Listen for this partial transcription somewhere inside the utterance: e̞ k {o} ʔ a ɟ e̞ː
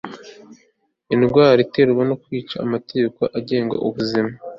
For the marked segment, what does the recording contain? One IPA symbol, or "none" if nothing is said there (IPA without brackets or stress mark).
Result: o